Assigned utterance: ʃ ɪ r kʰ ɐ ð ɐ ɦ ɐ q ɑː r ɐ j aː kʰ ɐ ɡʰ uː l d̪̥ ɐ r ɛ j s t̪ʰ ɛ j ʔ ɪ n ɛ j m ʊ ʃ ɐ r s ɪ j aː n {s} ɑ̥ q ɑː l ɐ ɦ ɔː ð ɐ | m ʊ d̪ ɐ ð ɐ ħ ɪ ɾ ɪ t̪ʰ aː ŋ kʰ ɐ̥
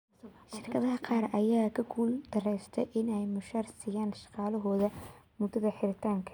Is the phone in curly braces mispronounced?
yes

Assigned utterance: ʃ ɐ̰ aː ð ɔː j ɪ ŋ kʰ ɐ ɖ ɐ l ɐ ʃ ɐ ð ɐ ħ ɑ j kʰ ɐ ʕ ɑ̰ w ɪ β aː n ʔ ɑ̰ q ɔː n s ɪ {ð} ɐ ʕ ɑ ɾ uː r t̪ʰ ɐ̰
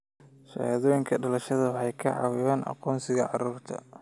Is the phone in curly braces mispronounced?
yes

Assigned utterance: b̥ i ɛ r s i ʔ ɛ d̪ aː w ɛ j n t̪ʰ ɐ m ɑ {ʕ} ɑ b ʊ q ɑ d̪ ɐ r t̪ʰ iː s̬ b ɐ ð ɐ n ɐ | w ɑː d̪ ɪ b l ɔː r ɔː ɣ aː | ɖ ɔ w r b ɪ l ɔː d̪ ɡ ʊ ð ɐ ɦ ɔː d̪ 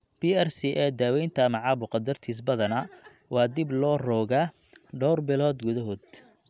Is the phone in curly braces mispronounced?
no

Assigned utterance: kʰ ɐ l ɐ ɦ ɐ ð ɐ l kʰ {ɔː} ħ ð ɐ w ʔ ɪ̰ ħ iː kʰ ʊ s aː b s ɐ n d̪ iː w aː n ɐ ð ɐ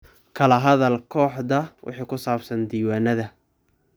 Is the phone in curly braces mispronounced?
no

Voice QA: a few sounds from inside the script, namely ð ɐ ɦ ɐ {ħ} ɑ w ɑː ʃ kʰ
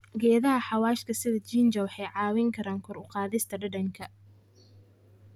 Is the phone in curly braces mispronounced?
no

